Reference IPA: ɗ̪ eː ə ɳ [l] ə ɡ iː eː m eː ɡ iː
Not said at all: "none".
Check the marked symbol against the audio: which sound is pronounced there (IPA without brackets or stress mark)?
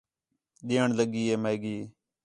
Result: l